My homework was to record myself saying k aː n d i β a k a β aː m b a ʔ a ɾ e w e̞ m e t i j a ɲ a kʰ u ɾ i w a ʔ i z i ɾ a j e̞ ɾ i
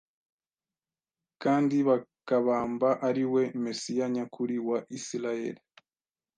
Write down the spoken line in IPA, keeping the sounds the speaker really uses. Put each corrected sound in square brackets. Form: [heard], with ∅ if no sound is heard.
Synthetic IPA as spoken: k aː n d i β a k a β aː m b a ʔ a ɾ [i] w e̞ m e [s] i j a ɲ a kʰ u ɾ i w a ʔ i [s] i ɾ a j e̞ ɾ i